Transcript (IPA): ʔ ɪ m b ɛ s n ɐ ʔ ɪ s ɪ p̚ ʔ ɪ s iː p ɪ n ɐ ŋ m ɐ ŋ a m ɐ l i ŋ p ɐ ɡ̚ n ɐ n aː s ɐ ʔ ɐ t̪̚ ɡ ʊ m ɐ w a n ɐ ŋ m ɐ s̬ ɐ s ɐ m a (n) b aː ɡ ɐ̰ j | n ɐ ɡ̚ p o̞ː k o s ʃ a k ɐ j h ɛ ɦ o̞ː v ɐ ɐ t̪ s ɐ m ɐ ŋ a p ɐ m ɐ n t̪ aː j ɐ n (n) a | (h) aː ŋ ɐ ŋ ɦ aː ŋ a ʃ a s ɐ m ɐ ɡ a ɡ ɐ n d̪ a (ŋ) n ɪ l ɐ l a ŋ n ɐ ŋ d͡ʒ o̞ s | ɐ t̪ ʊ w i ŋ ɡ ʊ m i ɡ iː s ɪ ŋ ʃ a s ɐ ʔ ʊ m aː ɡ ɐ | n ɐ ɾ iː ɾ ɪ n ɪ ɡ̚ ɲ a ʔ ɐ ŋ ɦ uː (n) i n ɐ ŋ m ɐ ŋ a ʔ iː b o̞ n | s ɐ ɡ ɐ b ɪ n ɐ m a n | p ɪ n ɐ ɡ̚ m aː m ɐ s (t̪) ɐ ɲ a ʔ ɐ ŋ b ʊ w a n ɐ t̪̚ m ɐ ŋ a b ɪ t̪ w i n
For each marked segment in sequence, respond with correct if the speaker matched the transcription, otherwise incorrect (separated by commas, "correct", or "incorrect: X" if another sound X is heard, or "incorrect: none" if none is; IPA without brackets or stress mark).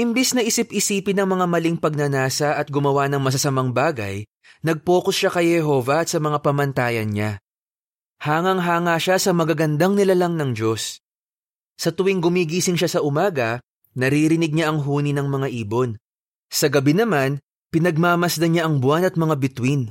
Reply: incorrect: ŋ, incorrect: ɲ, correct, correct, correct, incorrect: d̪